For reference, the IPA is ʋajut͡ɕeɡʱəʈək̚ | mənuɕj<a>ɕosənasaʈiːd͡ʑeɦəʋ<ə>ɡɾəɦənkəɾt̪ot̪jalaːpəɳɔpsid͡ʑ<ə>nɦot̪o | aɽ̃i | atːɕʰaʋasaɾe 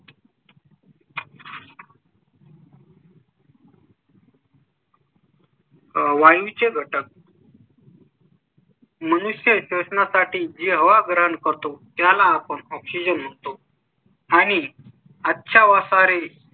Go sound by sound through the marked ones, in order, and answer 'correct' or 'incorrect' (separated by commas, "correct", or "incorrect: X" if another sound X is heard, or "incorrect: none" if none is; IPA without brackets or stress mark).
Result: incorrect: ə, incorrect: a, correct